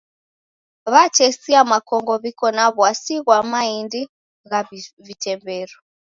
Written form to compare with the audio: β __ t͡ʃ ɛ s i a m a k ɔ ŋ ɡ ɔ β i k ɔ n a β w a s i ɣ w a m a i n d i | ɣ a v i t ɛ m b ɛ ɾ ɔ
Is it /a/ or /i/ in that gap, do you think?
a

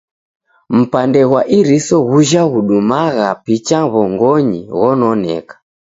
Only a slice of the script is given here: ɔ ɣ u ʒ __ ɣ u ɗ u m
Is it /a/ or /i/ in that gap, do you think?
a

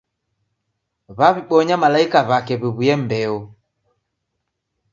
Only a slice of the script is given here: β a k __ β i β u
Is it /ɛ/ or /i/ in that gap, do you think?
ɛ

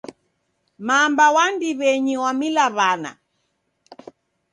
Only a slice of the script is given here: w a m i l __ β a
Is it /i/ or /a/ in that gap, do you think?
a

